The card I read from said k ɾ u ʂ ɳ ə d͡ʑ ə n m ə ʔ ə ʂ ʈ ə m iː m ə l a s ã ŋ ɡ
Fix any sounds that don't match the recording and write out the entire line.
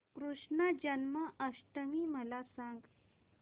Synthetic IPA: k ɾ u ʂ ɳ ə d͡ʑ ə n m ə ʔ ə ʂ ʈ ə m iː m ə l a s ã ŋ ɡ